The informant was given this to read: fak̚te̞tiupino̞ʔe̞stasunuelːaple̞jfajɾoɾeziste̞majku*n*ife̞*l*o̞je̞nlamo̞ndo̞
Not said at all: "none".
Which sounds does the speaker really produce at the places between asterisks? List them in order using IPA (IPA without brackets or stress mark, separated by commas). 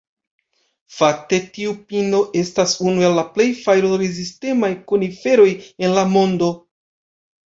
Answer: n, ɾ